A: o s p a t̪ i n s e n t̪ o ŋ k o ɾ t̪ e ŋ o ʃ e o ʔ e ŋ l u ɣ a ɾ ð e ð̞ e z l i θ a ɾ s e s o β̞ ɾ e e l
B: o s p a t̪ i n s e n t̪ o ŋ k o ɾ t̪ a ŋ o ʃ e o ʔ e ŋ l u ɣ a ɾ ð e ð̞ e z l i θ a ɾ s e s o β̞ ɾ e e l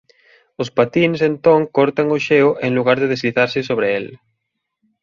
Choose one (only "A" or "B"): B